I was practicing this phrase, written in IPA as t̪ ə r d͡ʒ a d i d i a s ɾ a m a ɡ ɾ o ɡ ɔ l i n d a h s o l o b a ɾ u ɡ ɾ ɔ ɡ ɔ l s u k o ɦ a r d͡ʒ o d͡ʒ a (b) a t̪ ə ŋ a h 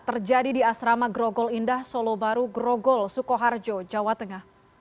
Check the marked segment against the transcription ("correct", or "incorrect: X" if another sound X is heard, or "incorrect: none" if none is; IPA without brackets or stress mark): incorrect: w